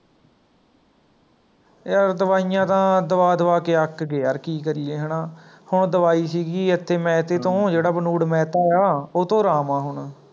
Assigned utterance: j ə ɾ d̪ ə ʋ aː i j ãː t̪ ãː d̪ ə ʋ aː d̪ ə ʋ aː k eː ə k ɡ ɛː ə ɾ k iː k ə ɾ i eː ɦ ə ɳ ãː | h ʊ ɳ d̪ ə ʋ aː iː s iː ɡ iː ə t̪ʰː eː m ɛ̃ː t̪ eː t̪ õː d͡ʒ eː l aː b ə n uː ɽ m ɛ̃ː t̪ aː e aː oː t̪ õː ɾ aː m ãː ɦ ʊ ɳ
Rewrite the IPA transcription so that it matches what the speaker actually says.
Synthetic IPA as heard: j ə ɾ d̪ ə ʋ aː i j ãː t̪ ãː d̪ ə ʋ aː d̪ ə ʋ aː k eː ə k ɡ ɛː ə ɾ k iː k ə ɾ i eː ɦ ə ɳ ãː | h ʊ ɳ d̪ ə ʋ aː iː s iː ɡ iː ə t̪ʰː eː m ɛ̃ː t̪ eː t̪ õː d͡ʒ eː ɽ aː b ə n uː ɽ m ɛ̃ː t̪ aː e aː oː t̪ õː ɾ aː m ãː ɦ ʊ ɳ